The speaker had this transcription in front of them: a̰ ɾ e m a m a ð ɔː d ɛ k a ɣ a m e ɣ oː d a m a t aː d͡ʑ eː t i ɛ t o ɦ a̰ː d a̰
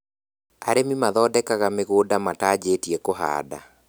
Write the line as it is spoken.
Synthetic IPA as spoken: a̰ ɾ e m i m a ð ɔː d ɛ k a ɣ a m e ɣ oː d a m a t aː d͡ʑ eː t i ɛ k o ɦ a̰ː d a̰